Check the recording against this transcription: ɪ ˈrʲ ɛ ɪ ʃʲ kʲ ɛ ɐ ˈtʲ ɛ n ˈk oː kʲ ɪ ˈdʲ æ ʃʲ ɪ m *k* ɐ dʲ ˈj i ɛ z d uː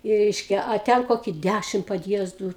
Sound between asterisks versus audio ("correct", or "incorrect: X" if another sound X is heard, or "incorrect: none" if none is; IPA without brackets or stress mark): incorrect: p